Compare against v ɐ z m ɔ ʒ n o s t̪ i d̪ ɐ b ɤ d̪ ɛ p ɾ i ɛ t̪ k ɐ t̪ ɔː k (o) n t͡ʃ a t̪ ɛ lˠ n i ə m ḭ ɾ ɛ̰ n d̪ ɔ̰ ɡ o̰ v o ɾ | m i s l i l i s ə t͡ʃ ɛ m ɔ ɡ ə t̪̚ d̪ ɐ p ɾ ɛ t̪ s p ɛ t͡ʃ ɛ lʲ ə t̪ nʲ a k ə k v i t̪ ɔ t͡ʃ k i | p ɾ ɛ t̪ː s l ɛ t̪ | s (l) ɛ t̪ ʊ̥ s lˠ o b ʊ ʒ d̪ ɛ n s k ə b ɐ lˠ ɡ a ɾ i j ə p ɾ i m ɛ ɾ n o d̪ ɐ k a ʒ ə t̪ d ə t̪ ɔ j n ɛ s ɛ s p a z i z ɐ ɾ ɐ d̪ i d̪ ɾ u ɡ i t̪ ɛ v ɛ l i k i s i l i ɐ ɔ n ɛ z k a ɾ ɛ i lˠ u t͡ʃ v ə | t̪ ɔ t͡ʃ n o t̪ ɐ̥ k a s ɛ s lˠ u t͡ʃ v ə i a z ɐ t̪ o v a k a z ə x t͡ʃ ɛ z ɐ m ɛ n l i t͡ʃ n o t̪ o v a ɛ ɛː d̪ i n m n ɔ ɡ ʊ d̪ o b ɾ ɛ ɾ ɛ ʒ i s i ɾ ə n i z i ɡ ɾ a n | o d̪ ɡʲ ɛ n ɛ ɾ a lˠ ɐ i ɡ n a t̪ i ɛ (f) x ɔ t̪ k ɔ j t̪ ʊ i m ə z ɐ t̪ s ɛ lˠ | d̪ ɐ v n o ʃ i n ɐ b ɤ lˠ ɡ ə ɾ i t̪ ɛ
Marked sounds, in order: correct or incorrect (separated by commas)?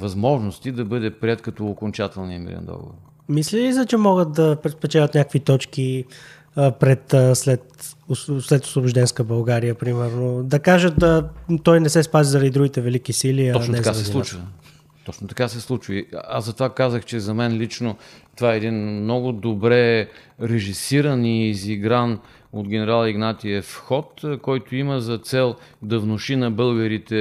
correct, correct, correct